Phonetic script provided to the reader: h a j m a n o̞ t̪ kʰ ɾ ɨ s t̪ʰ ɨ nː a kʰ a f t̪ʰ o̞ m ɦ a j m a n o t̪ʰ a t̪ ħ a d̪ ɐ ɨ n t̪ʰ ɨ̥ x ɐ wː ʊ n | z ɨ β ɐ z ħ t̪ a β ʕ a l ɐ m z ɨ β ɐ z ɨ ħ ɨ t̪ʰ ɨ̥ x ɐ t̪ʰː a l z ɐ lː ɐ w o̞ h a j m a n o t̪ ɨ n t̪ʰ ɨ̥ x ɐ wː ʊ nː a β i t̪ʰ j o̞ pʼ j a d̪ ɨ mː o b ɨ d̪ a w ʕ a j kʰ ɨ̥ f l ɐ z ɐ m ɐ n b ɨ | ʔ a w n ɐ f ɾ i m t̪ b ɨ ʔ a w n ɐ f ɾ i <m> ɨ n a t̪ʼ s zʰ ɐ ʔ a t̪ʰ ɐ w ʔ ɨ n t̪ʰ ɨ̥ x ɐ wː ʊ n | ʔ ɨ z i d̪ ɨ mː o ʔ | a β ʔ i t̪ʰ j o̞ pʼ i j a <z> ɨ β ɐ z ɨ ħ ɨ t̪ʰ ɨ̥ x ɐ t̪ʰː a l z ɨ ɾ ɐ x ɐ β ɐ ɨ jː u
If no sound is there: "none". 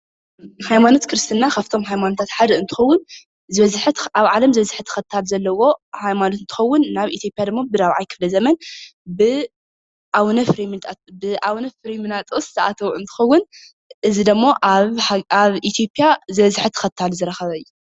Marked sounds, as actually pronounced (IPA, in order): m, z

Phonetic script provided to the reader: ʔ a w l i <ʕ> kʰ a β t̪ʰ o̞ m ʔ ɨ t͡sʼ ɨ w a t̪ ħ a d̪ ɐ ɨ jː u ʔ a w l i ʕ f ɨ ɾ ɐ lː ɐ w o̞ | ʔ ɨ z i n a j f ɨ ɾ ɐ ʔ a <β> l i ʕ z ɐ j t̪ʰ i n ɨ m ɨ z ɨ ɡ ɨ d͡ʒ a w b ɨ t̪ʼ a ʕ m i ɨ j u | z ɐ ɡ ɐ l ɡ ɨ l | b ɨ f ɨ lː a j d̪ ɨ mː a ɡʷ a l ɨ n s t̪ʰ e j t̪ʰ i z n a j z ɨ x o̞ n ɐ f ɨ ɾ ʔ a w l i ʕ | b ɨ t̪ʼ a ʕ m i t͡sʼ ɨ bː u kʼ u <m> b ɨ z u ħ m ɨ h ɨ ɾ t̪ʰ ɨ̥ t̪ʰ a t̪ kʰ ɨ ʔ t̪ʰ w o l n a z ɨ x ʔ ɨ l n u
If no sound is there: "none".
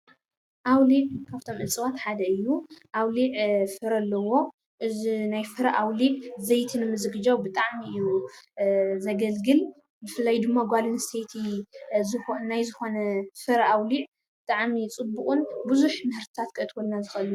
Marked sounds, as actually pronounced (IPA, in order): ʕ, w, n

